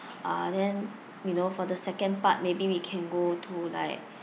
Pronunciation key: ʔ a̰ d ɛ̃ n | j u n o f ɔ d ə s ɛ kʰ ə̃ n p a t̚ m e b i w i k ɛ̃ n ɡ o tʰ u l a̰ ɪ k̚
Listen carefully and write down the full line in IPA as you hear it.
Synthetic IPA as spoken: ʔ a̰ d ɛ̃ n | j u n o f ɔ d ə s ɛ k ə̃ n p a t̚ m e b i w i kʰ ɛ̃ n ɡ o tʰ u l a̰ ɪ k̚